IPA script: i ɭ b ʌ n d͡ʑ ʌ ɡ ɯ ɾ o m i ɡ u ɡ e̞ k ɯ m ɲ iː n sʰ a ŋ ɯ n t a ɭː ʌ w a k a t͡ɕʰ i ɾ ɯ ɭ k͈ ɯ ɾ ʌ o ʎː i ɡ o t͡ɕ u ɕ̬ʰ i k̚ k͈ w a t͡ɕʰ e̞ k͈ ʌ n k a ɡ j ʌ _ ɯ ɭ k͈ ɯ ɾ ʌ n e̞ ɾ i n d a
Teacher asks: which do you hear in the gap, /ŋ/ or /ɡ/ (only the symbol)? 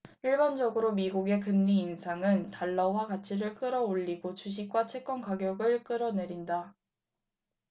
ɡ